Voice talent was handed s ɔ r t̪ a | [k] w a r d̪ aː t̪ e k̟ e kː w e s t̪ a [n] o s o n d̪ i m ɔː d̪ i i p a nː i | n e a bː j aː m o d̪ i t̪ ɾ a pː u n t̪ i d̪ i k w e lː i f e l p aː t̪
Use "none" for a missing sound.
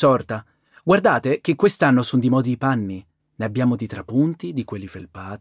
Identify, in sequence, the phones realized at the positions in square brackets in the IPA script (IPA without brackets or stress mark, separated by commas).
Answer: ɡ, nː